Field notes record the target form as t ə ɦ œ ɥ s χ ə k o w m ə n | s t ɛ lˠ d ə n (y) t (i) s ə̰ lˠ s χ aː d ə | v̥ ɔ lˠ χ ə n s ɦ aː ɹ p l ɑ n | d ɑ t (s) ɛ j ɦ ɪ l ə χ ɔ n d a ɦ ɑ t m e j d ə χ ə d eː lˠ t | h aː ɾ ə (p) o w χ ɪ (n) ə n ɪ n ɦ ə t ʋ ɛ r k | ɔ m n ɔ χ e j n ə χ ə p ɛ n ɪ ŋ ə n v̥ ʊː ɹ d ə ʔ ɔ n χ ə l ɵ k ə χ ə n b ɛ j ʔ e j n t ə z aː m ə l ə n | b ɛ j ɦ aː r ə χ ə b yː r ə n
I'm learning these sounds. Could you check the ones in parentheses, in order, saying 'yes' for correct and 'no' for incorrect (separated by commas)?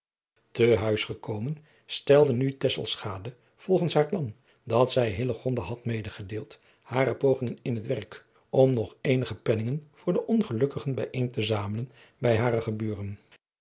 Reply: yes, no, yes, yes, no